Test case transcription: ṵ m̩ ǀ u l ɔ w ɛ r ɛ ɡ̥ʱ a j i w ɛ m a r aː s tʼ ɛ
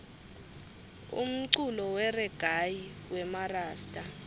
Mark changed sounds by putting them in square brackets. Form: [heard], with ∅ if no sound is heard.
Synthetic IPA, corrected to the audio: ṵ m̩ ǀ u l ɔ w ɛ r ɛ ɡ̥ʱ a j i w ɛ m a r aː s tʼ [a]

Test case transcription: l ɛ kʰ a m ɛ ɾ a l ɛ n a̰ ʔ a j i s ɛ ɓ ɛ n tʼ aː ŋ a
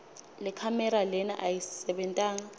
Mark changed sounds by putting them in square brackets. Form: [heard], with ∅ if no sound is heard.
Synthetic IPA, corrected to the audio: l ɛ kʰ a m ɛ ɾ a l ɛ n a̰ ʔ a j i s ɛ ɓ ɛ n tʼ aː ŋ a

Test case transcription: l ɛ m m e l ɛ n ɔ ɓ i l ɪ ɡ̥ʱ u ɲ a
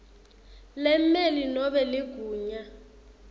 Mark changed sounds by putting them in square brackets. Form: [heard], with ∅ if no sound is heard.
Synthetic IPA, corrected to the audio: l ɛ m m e l [i] n ɔ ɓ [ɛ] l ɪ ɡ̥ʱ [uː] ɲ a

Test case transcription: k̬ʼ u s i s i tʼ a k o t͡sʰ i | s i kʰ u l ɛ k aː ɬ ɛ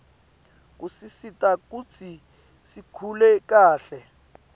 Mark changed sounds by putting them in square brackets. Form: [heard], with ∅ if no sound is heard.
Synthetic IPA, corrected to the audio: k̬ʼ u s i s i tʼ a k [u] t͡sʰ i | s i kʰ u l ɛ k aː ɬ ɛ

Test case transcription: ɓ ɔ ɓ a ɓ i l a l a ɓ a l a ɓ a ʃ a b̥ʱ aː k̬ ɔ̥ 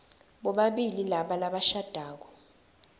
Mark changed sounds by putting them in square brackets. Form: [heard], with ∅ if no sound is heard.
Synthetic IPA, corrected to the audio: ɓ ɔ ɓ a ɓ i l [i] l a ɓ a l a ɓ a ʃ a [d̥ʱ] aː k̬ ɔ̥

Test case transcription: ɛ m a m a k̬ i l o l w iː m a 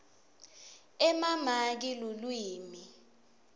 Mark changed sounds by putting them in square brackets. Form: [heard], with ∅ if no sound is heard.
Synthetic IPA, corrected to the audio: ɛ m a m a k̬ i l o l w iː m [i]

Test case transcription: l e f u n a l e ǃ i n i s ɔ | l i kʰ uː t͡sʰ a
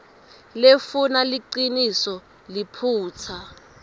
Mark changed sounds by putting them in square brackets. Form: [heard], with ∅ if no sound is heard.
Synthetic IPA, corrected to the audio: l e f u n a l [i] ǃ i n i s ɔ | l i [pʰ] uː t͡sʰ a

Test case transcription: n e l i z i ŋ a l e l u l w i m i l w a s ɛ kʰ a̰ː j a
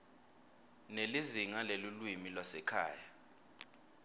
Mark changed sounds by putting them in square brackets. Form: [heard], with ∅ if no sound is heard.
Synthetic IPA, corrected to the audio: n e l i z i ŋ a l e l u l w i m i l w a s ɛ kʰ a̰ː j a

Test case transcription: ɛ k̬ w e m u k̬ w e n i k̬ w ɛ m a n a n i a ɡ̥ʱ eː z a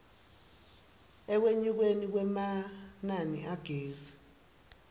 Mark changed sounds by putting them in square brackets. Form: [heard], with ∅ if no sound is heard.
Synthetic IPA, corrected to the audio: ɛ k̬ w e [ɲ] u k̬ w e n i k̬ w ɛ m a n a n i a ɡ̥ʱ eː z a

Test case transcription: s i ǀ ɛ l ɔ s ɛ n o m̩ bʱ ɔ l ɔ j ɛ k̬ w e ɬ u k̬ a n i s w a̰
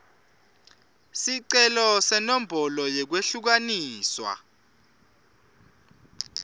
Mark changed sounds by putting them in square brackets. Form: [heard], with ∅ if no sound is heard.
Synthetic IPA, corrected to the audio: s i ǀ ɛ l ɔ s ɛ n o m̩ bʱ ɔ l ɔ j ɛ k̬ w e ɬ u k̬ a n [iː] s w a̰

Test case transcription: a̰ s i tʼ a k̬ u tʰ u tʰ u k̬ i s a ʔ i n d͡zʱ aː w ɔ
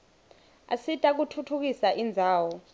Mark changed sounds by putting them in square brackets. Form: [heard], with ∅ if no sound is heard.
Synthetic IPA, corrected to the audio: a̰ s i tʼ a k̬ u tʰ u tʰ u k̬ i s a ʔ i n d͡zʱ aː w ɔ

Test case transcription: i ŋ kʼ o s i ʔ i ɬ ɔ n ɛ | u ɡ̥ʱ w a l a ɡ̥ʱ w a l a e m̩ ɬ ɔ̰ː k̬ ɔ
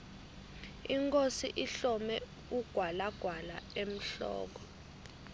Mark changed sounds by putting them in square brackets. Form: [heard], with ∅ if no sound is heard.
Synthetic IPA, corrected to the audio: i ŋ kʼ o s i ʔ i ɬ ɔ [m] ɛ | u ɡ̥ʱ w a l a ɡ̥ʱ w a l a e m̩ ɬ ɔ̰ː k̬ ɔ

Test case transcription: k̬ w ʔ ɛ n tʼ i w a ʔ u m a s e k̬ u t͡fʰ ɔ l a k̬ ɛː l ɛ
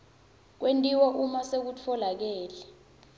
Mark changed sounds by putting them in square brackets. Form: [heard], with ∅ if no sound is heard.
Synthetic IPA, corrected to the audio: k̬ w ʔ [e] n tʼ i w a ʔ u m a s e k̬ u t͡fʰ ɔ l a k̬ ɛː l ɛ

